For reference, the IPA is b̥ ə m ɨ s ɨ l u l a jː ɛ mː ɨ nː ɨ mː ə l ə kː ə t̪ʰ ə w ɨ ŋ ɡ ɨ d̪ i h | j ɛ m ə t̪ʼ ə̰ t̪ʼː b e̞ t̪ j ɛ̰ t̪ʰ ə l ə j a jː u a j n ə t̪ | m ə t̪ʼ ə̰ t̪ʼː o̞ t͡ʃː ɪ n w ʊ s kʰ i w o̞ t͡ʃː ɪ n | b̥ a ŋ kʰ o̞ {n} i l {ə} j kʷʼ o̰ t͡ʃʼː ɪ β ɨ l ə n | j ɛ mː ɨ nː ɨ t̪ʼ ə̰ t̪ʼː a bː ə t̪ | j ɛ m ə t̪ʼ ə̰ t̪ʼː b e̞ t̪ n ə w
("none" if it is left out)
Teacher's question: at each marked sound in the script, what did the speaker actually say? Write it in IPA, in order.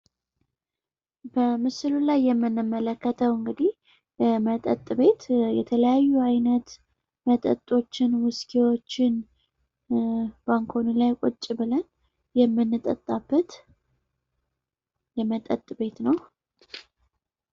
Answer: n, a

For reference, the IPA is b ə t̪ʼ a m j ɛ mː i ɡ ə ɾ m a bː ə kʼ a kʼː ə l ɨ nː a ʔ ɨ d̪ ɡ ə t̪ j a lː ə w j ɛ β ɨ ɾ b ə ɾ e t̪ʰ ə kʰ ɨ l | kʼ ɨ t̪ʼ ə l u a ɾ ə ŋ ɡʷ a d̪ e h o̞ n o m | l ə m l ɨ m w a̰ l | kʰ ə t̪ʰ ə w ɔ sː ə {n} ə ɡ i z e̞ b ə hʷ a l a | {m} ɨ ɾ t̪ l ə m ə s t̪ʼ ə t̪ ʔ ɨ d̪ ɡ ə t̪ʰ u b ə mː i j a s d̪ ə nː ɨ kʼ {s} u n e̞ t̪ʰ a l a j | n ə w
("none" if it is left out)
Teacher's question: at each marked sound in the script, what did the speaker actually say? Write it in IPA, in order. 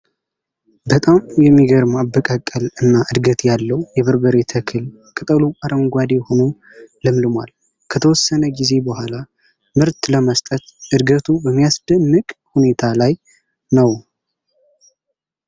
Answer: n, m, h

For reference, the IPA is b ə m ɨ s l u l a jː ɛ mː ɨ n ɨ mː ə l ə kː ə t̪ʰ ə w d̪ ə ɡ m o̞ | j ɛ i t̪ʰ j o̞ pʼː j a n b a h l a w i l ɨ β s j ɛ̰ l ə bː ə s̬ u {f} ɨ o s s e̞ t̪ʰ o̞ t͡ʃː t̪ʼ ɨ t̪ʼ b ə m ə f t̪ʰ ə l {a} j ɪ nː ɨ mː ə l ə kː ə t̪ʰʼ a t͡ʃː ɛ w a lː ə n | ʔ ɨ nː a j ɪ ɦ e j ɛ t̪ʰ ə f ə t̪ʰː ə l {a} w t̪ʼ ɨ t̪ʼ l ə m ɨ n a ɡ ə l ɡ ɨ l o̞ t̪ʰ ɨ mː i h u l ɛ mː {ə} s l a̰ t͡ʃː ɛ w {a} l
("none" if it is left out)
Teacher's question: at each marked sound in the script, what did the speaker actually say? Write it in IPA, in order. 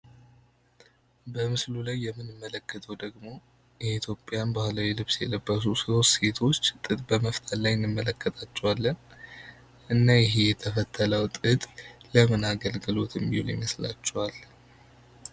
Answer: s, a, ə, ə, a

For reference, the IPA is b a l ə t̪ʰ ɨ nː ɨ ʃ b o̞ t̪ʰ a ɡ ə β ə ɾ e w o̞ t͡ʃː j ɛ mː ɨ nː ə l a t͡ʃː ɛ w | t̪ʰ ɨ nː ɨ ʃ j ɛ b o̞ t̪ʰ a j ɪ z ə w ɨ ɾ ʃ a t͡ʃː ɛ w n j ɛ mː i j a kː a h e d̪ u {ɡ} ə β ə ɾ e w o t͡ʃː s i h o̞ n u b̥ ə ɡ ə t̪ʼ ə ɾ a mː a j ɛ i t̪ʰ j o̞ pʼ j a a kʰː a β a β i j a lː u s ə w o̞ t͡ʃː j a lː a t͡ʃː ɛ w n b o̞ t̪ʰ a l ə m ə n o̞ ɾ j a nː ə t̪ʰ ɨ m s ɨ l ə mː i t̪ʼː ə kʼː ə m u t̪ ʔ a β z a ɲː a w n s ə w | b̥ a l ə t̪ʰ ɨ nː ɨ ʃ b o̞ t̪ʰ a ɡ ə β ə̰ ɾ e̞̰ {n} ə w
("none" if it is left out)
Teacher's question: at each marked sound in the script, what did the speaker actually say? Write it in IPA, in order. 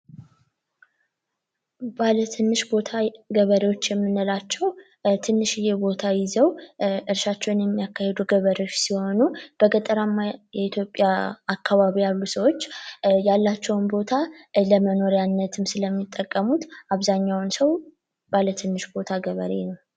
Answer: ɡ, n

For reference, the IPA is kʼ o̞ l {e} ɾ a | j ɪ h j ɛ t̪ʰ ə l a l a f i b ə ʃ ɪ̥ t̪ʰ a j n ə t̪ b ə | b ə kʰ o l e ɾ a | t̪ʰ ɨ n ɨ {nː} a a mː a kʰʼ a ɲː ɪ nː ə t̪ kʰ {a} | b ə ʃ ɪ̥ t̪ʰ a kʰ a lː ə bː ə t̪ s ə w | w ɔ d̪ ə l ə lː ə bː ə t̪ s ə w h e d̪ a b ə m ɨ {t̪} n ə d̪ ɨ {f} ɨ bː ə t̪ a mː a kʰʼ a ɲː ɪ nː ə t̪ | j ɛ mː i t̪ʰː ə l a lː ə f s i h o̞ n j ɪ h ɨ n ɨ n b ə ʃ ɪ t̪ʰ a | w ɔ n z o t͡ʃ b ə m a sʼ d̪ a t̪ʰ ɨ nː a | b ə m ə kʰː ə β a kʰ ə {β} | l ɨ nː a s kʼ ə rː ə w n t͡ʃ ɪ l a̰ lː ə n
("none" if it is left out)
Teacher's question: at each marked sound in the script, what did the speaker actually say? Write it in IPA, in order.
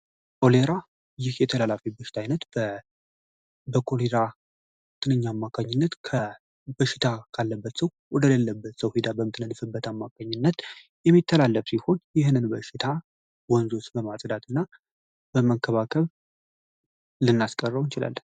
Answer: e, ɲː, ə, t̪, f, β

